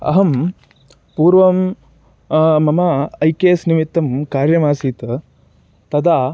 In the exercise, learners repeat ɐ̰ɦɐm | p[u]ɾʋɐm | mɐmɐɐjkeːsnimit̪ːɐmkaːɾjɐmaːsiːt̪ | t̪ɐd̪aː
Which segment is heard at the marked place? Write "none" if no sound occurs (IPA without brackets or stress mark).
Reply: uː